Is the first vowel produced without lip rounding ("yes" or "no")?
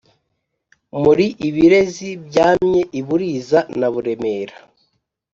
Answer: no